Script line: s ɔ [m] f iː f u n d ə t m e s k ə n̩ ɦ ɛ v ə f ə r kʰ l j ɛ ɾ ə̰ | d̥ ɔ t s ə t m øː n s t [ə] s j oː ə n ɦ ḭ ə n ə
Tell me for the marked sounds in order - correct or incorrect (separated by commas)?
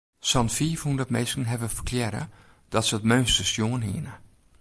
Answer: incorrect, correct